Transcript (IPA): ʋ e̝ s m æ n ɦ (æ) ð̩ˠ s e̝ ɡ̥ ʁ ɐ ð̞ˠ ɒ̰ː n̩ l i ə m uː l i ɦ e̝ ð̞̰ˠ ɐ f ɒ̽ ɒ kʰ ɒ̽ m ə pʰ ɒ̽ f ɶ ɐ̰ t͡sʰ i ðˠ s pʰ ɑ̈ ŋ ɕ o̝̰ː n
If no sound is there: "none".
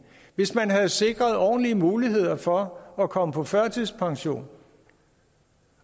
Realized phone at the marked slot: æ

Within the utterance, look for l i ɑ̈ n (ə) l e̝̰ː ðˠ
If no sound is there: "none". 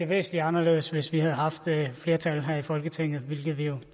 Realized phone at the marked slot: ɐ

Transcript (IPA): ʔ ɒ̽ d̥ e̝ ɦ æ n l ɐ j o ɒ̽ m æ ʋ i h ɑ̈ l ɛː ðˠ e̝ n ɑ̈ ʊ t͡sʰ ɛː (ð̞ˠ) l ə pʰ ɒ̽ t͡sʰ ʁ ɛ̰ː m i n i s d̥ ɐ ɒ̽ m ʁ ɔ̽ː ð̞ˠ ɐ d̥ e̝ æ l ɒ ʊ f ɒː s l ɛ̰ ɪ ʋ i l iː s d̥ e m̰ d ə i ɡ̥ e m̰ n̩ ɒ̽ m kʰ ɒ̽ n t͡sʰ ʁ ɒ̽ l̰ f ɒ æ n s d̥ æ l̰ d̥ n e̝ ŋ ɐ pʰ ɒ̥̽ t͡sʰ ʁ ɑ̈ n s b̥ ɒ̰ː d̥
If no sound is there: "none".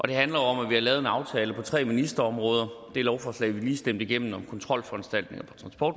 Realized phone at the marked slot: none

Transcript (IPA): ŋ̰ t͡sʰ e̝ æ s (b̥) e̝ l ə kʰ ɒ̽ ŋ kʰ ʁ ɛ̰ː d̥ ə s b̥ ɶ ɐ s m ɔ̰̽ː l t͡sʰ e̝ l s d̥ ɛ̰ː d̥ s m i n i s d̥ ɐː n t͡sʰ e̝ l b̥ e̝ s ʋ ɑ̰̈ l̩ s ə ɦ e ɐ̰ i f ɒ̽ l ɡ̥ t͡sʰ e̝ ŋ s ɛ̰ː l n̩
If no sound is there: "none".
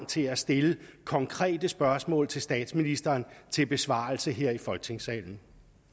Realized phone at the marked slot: d̥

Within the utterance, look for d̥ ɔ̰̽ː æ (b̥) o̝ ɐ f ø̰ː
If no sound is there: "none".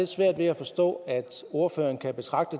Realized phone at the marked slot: d̥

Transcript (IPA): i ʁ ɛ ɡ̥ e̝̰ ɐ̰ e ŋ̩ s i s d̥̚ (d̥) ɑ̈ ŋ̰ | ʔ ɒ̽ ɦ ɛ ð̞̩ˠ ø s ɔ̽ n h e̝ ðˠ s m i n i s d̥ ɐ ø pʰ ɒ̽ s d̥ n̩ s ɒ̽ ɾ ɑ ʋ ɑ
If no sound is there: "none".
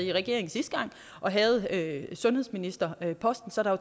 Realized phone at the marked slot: ɡ̥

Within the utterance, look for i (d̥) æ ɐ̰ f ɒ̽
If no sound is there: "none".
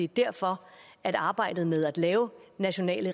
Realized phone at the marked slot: d̥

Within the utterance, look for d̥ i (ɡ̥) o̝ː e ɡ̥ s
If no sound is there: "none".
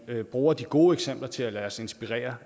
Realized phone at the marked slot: ɡ̥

